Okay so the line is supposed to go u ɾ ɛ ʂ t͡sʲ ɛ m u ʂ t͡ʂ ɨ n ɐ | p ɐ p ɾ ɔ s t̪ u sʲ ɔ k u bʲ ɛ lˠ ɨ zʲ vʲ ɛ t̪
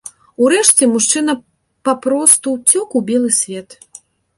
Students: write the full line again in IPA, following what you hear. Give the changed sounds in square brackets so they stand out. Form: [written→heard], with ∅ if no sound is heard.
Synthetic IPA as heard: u ɾ ɛ ʂ t͡sʲ ɛ m u ʂ t͡ʂ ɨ n ɐ | p [ɐ→a] p ɾ ɔ s t̪ u [sʲ→t͡sʲ] ɔ k u bʲ ɛ lˠ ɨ [zʲ→sʲ] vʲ ɛ t̪